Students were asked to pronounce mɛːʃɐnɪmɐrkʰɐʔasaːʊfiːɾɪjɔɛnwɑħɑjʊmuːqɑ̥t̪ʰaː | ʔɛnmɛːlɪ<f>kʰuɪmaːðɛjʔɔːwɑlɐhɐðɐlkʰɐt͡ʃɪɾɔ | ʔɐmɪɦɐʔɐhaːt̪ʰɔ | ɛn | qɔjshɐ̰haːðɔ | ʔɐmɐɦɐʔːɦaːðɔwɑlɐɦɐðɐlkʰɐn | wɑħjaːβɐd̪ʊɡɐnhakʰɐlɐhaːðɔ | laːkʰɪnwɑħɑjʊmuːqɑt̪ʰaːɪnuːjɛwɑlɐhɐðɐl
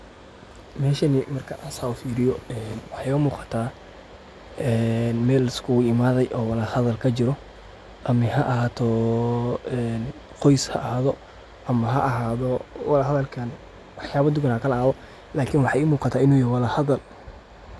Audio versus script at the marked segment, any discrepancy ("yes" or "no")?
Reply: yes